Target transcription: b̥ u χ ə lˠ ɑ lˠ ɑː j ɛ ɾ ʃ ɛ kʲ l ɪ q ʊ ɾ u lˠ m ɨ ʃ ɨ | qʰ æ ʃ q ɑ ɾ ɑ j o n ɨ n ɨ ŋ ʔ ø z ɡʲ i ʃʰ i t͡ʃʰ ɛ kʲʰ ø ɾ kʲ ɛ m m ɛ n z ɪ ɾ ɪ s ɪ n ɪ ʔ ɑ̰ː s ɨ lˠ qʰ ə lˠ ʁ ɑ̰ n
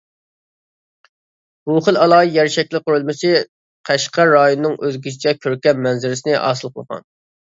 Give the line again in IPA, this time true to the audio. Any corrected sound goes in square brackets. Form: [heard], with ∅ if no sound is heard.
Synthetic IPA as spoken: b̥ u χ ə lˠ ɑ lˠ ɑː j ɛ ɾ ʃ ɛ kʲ l ɪ q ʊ ɾ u lˠ m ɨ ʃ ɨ | qʰ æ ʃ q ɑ ɾ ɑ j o n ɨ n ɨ ŋ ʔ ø z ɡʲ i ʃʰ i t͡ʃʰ ɛ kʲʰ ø ɾ kʲ ɛ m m ɛ n z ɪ ɾ ɪ s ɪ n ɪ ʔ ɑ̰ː s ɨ lˠ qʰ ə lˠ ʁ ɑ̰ n